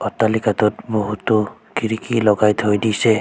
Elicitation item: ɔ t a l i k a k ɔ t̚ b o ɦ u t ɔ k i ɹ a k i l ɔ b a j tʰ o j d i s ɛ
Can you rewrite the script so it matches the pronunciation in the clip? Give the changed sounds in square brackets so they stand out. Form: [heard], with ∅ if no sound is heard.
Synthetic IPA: ɔ t a l i k a [t] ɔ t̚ b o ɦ u t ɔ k i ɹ [i] k i l ɔ [ɡ] a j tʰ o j d i s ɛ